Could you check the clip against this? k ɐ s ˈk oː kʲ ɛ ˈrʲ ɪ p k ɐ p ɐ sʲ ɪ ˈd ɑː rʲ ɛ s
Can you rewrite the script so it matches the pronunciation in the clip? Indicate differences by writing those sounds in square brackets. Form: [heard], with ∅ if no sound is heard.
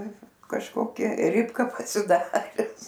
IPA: k ɐ [ʃ] ˈk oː kʲ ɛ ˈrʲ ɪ p k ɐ p ɐ sʲ ɪ ˈd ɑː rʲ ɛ s